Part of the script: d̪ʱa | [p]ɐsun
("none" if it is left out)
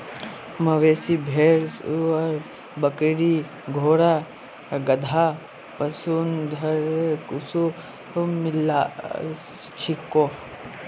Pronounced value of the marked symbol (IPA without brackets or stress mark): p